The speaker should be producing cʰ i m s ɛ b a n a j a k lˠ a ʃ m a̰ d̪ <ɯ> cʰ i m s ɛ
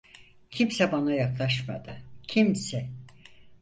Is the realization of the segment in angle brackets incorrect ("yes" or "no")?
no